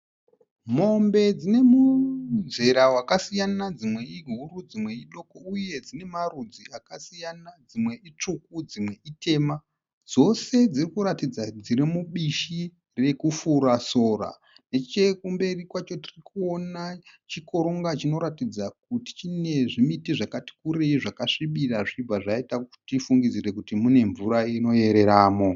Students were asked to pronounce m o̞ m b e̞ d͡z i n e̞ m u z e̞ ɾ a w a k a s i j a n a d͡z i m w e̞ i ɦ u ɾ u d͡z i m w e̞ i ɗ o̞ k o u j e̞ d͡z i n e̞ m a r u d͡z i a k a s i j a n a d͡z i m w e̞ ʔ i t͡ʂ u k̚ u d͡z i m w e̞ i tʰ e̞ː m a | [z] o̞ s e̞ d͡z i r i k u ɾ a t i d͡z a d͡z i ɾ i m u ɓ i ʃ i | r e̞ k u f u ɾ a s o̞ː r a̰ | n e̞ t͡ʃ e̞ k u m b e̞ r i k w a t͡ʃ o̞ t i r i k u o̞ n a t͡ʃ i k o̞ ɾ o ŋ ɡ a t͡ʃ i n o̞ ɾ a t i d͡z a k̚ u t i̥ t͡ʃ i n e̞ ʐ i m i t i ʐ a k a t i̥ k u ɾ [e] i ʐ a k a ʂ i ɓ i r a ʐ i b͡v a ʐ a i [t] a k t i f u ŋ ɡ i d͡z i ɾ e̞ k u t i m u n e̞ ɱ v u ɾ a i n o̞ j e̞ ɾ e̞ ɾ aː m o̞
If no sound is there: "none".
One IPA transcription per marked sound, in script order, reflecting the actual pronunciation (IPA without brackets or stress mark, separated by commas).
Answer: d͡z, e, t